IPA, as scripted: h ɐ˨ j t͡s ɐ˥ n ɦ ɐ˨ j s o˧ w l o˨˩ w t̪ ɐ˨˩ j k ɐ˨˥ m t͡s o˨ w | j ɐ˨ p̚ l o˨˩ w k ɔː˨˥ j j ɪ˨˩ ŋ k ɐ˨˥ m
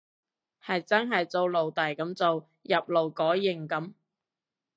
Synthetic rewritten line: h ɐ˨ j t͡s ɐ˥ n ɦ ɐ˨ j t͡s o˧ w l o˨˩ w t̪ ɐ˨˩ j k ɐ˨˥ m t͡s o˨ w | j ɐ˨ p̚ l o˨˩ w k ɔː˨˥ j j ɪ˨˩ ŋ k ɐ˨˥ m